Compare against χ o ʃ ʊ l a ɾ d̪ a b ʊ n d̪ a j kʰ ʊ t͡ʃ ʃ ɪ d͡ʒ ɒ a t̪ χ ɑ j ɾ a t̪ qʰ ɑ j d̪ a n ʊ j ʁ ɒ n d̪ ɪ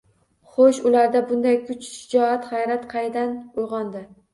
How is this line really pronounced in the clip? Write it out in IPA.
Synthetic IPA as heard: χ o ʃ ʊ l a ɾ d̪ a b ʊ n d̪ a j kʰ ʊ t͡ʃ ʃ ɪ d͡ʒ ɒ a t̪ χ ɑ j ɾ a t̪ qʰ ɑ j d̪ a n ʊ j ʁ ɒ n d̪ ɪ